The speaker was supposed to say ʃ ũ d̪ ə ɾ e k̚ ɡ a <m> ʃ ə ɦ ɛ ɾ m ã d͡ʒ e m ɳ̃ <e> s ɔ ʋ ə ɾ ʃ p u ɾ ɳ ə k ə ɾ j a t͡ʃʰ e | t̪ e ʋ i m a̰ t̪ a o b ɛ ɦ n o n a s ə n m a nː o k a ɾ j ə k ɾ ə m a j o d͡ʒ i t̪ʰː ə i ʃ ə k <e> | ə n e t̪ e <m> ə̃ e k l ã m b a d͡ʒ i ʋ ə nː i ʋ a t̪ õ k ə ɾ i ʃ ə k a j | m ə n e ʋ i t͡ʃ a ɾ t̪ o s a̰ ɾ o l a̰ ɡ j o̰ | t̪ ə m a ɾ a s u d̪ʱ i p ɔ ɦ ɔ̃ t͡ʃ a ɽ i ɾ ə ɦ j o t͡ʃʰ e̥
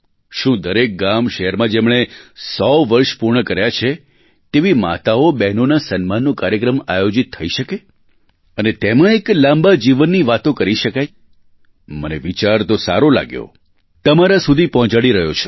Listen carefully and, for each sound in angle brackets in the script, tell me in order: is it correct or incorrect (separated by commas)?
correct, correct, correct, correct